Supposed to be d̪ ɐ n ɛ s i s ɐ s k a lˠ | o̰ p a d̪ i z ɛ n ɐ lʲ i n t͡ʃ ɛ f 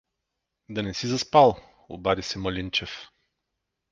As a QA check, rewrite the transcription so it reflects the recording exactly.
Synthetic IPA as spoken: d̪ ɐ n ɛ s i z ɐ s p a lˠ | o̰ b a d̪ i s ɛ m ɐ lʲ i n t͡ʃ ɛ f